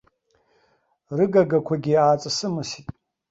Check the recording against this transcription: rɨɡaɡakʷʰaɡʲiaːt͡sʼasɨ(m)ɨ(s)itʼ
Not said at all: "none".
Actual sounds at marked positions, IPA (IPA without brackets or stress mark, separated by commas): m, s